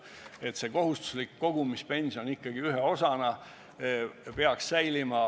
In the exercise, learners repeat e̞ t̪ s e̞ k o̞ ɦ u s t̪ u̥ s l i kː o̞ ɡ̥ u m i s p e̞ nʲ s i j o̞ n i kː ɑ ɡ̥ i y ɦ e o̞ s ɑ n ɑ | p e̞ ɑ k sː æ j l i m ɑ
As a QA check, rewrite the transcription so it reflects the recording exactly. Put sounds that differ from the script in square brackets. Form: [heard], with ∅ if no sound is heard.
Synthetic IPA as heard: e̞ t̪ s e̞ k o̞ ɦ u s t̪ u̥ s l i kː o̞ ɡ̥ u m i s p e̞ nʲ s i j o̞ n i kː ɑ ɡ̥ i y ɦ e o̞ s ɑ n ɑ | p e̞ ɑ k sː æ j l i m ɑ